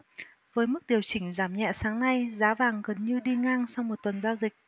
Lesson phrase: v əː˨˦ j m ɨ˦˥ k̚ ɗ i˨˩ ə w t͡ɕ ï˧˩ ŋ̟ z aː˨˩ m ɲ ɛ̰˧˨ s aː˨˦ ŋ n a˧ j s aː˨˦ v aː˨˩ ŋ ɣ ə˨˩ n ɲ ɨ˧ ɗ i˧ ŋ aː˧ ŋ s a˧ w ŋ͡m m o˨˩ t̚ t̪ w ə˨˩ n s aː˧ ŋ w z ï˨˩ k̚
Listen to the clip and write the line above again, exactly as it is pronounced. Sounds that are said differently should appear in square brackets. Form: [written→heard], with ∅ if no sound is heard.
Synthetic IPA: v əː˨˦ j m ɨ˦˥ k̚ ɗ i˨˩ ə w t͡ɕ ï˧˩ ŋ̟ z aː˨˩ m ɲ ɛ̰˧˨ s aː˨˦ ŋ n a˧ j [s→z] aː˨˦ v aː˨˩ ŋ ɣ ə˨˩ n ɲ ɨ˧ ɗ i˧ ŋ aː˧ ŋ s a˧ w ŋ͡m m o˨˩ t̚ t̪ w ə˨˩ n [s→z] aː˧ [ŋ→∅] w z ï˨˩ k̚